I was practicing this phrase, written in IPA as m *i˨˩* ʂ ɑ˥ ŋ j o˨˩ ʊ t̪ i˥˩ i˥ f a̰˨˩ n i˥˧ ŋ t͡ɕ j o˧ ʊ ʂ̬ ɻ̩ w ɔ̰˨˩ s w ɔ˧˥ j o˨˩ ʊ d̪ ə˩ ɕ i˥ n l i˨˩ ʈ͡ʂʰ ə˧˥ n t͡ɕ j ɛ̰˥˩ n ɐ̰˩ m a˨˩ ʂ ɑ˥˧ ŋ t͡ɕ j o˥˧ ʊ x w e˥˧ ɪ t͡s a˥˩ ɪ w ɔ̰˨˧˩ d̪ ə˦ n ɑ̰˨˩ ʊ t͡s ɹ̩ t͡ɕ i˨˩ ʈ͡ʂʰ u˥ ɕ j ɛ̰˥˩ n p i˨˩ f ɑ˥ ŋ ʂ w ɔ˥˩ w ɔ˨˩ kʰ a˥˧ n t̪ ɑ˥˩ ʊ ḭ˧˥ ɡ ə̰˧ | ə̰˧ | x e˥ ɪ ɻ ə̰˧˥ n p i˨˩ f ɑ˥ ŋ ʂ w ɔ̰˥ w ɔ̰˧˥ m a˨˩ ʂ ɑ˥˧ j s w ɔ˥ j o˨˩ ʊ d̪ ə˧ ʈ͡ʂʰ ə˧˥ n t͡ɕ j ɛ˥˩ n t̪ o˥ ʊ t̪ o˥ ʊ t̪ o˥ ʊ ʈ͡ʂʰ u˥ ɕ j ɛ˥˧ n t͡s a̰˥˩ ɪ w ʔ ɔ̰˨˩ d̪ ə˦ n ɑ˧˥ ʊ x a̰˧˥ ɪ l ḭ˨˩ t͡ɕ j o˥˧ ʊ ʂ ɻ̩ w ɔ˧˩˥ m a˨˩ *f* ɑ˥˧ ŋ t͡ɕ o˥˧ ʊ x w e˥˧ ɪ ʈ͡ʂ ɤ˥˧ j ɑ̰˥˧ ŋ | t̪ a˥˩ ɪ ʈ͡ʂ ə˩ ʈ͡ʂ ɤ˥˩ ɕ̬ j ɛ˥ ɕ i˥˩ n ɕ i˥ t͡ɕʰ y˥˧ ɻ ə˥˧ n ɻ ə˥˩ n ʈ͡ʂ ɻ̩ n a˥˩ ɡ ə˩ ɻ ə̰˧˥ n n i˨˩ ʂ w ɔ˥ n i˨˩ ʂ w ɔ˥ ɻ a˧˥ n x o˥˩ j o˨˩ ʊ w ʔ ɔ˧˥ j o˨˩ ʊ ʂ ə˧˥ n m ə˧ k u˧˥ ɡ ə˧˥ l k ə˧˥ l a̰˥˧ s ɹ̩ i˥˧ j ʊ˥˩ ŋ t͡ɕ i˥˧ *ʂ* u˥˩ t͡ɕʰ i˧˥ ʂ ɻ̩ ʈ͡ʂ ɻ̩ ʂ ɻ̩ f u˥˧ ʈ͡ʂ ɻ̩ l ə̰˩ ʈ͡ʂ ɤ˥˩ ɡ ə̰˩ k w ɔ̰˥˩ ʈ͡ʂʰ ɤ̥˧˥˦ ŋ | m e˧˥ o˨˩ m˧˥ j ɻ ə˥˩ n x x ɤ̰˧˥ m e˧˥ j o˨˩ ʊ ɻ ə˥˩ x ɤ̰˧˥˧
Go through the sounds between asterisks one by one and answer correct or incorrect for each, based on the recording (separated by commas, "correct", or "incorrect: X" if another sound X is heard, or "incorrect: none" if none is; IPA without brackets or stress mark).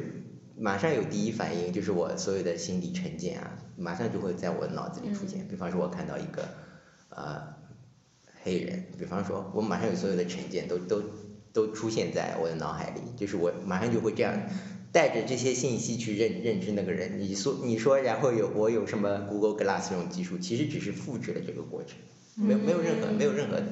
incorrect: a˨˩, incorrect: ʂ, correct